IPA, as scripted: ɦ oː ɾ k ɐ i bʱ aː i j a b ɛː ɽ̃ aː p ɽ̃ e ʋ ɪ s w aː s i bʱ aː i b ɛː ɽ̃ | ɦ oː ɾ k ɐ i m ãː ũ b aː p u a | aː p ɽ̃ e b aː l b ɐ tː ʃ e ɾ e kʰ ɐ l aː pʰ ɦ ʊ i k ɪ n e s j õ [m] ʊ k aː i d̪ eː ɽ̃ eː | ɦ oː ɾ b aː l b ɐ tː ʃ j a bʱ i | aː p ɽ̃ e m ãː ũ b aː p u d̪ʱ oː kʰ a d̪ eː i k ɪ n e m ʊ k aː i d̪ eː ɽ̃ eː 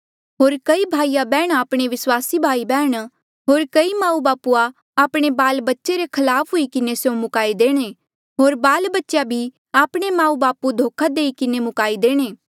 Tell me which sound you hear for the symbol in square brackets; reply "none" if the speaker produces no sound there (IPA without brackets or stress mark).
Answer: m